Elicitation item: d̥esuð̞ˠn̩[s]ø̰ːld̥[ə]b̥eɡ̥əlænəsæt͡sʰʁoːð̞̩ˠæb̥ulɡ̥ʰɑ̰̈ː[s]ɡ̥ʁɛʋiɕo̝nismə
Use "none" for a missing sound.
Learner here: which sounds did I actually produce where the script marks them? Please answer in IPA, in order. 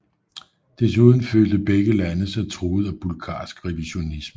f, ə, s

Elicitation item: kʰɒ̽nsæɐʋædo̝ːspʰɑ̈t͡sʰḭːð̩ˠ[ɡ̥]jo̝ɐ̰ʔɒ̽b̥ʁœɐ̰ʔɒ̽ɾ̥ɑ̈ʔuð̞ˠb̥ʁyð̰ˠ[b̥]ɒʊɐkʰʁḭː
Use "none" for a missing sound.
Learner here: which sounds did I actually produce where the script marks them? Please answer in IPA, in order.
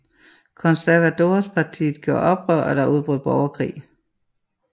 ɡ̥, b̥

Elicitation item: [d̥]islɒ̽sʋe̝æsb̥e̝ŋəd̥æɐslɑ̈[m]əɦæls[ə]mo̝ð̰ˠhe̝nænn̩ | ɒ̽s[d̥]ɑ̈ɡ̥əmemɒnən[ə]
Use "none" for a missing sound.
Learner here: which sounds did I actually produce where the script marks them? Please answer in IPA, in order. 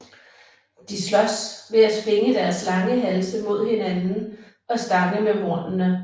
d̥, ŋ, ə, d̥, ə

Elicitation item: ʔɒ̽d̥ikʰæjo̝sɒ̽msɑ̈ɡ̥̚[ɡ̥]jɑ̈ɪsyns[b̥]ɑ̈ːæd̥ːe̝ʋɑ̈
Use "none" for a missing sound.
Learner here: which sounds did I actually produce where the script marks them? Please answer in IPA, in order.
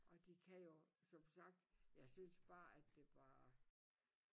d̥, b̥

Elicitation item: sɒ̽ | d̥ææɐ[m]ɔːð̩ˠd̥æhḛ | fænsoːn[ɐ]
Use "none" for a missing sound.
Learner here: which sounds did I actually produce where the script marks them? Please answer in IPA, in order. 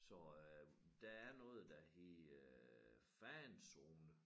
n, ə

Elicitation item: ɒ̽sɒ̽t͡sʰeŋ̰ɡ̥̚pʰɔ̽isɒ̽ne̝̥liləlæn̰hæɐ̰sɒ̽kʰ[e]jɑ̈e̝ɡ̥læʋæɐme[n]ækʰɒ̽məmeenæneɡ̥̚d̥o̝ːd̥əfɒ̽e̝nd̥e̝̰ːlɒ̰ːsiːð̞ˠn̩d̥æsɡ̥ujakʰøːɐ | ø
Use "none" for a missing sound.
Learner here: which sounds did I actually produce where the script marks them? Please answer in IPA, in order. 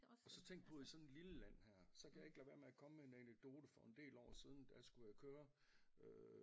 æ, none

